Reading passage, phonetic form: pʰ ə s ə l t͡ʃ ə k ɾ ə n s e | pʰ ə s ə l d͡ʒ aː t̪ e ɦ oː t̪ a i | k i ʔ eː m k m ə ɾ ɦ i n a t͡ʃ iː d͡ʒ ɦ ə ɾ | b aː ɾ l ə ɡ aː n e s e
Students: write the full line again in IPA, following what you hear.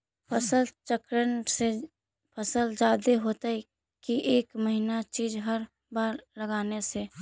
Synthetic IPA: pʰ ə s ə l t͡ʃ ə k ɾ ə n s e | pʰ ə s ə l d͡ʒ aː d̪ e ɦ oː t̪ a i | k i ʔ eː k m ə ɦ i n a t͡ʃ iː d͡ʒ ɦ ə ɾ | b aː ɾ l ə ɡ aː n e s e